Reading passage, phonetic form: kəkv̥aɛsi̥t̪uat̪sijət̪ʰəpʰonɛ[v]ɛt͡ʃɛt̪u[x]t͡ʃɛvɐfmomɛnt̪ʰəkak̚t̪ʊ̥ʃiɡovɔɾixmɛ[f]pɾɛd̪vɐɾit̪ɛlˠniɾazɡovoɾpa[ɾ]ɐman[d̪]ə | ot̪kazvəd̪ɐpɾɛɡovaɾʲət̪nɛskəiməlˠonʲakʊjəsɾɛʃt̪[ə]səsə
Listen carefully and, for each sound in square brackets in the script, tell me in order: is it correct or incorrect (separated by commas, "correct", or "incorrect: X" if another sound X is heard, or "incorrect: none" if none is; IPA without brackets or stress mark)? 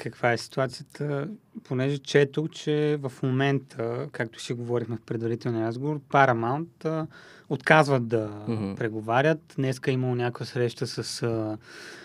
incorrect: ʒ, incorrect: k, correct, correct, incorrect: t̪, correct